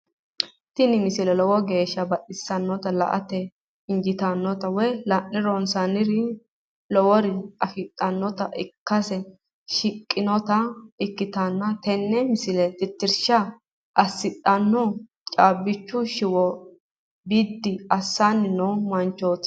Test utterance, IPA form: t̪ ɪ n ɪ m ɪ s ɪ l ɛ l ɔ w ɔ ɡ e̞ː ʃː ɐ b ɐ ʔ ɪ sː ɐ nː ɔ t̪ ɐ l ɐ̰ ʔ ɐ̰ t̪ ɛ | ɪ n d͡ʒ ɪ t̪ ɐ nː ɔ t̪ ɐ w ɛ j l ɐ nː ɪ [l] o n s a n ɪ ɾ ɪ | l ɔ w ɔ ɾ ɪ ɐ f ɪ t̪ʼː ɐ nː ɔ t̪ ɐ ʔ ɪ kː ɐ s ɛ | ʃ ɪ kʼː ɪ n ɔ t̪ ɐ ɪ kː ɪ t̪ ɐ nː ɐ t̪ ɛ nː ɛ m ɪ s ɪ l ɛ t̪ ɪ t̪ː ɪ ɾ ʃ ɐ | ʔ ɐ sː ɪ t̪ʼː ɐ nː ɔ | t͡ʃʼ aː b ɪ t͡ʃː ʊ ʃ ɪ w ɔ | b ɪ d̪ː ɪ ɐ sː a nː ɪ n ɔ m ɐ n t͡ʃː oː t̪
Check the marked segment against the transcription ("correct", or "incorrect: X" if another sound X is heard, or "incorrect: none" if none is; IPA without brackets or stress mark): incorrect: ɾ